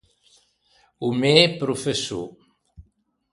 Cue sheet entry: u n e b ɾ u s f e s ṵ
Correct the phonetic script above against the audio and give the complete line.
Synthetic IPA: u m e p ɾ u f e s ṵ